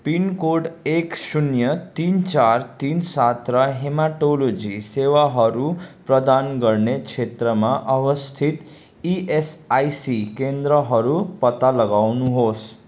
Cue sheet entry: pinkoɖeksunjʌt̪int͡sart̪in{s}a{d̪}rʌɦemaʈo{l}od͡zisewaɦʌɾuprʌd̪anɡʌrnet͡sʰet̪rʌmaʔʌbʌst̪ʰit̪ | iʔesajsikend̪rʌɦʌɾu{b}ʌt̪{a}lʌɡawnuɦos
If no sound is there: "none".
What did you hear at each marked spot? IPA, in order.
s, t̪, l, p, a

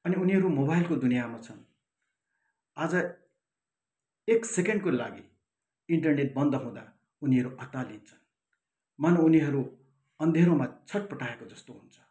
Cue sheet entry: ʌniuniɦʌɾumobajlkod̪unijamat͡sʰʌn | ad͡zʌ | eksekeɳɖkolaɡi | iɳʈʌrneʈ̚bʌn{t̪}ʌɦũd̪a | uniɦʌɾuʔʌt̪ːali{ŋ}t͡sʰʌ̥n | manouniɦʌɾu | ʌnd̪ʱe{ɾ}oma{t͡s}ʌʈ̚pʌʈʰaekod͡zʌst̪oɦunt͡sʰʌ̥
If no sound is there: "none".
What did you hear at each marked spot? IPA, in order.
d̪, n, ɾ, t͡sʰ

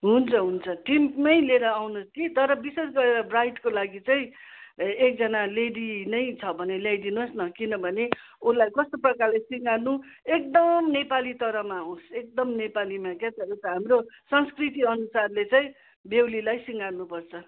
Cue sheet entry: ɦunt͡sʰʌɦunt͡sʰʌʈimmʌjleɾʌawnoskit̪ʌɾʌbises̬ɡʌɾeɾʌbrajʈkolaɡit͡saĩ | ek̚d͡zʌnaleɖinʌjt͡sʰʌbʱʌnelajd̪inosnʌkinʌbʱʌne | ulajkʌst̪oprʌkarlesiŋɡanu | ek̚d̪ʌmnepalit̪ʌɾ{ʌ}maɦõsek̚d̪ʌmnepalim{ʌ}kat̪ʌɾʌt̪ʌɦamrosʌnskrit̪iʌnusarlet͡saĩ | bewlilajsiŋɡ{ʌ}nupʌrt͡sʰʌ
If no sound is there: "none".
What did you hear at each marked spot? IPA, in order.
ʌ, a, a

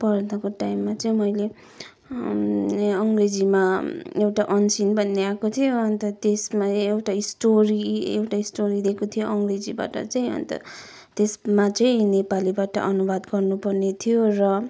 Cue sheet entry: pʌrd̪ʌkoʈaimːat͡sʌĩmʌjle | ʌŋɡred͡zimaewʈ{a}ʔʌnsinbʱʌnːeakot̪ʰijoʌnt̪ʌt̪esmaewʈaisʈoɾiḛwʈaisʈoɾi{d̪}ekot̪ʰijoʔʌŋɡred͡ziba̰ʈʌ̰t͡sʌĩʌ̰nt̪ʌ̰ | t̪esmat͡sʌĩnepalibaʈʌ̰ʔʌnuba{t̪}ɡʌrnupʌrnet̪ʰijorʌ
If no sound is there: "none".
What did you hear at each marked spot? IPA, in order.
a, d̪, d̪

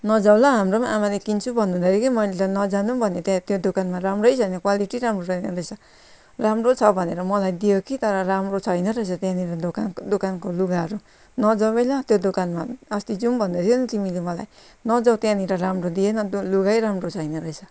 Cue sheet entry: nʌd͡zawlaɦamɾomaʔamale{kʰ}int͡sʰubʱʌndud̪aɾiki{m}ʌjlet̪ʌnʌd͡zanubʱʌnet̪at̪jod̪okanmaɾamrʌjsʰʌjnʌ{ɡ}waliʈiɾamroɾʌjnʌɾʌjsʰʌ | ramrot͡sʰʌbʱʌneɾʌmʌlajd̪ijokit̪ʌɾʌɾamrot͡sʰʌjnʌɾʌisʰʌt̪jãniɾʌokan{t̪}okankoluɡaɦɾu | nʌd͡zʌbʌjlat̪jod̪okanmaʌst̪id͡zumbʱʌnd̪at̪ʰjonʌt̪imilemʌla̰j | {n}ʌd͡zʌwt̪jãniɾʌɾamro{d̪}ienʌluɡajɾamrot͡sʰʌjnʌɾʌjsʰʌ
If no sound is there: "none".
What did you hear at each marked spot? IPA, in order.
k, m, k, d̪, n, d̪

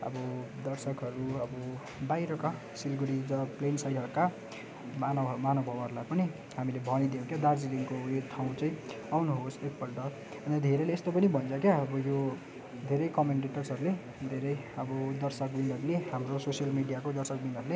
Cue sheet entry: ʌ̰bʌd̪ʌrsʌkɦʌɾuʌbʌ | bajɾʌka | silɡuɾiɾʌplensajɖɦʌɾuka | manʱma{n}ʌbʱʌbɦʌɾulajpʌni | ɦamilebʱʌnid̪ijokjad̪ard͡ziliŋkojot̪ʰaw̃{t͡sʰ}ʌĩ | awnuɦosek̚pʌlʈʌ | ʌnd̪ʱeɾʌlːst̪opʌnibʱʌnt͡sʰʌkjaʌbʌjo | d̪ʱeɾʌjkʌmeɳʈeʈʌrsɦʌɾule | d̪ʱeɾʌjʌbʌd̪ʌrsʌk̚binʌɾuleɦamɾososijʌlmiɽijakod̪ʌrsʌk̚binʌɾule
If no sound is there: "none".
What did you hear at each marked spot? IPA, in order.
n, t͡s

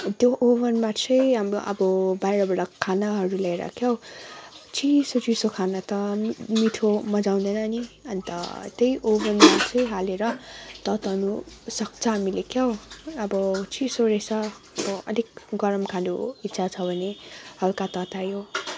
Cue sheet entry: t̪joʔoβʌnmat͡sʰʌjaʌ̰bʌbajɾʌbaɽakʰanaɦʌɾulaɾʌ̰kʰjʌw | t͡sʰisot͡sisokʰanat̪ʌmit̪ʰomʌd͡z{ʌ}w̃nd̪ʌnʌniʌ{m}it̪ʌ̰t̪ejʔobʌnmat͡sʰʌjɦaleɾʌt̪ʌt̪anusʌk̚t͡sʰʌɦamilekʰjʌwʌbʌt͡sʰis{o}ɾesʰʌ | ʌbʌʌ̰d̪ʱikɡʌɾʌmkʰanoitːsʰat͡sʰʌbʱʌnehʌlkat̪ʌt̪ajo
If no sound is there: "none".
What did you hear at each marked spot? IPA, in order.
a, n, o

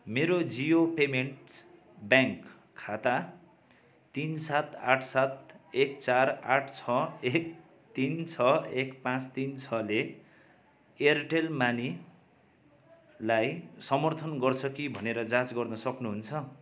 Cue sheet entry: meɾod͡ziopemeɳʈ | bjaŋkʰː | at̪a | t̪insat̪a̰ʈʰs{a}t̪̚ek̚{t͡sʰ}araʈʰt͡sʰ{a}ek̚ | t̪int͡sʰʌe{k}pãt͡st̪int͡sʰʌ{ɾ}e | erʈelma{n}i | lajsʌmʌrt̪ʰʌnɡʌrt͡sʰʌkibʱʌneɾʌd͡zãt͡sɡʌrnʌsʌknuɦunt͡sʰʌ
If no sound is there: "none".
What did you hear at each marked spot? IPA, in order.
a, t͡s, ʌ, k, l, n

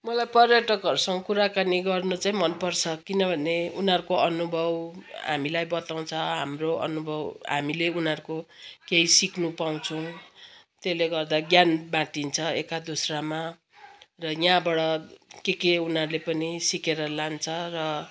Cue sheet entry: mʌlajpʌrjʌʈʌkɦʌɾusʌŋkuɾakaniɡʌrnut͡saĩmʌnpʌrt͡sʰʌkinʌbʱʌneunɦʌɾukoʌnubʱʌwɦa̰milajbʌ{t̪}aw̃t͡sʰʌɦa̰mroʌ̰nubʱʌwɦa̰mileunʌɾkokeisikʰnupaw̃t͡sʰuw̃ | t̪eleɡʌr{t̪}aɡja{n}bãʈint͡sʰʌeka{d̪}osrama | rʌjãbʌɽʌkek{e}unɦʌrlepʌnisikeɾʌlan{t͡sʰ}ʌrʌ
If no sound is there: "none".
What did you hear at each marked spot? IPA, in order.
t̪, d̪, n, d̪, e, t͡sʰ

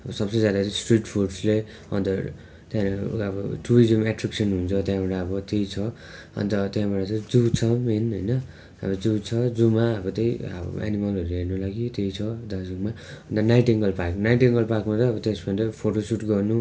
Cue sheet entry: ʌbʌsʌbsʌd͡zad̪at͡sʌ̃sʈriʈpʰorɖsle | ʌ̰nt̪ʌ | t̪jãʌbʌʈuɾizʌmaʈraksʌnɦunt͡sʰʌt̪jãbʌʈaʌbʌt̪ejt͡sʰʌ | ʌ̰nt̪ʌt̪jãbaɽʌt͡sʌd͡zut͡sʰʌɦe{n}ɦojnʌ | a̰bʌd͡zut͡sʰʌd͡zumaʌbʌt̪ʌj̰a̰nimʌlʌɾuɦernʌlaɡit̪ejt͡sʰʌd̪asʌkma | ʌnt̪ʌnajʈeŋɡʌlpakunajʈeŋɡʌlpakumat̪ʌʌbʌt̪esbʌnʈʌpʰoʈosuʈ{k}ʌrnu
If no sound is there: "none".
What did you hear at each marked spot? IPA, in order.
n, ɡ

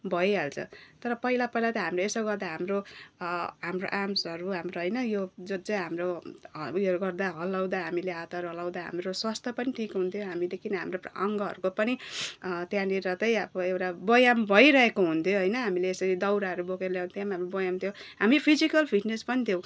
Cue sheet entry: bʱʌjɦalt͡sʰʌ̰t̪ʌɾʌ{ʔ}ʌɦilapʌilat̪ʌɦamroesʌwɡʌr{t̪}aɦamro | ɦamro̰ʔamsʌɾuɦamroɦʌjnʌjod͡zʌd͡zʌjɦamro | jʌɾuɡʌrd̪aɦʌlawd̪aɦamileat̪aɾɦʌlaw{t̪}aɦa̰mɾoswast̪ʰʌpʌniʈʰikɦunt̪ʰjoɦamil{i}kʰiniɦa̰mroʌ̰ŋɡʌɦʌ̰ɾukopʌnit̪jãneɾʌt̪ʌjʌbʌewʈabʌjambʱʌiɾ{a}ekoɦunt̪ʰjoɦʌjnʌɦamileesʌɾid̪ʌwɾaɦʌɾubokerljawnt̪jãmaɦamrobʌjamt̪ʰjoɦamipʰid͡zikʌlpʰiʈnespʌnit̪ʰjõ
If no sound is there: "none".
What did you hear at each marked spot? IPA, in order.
p, d̪, d̪, e, ʌ

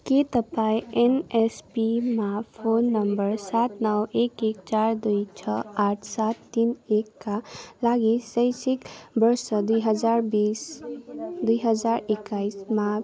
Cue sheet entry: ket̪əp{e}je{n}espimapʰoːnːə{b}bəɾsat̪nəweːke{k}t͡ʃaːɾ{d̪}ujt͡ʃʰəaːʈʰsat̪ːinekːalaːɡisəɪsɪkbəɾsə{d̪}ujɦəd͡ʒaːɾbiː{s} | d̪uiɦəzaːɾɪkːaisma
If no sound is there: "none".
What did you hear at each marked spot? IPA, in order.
a, n, m, k, d̪, d̪, s

